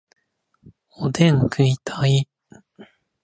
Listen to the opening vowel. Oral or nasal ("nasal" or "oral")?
oral